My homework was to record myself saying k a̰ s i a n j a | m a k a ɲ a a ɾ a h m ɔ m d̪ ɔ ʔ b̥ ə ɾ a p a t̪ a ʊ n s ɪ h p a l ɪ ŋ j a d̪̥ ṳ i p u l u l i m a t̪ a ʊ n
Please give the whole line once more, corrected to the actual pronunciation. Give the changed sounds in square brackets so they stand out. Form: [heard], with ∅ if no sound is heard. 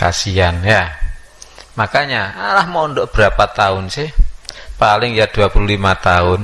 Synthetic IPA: k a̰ s i a n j a | m a k a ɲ a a [l] a h m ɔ [n] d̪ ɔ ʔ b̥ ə ɾ a p a t̪ a ʊ n s ɪ h p a l ɪ ŋ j a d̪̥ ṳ [a] p u l u l i m a t̪ a ʊ n